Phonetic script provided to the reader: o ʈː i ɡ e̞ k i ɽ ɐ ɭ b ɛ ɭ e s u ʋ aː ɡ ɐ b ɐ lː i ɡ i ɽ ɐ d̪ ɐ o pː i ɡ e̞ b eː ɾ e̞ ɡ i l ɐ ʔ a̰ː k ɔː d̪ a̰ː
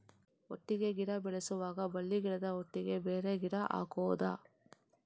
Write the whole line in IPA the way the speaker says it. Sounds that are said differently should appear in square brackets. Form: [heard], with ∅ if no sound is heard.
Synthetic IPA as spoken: o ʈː i ɡ e̞ [ɡ] i ɽ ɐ [∅] b ɛ ɭ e s u ʋ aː ɡ ɐ b ɐ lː i ɡ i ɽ ɐ d̪ ɐ o [ʈː] i ɡ e̞ b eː ɾ e̞ ɡ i [ɽ] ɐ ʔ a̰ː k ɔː d̪ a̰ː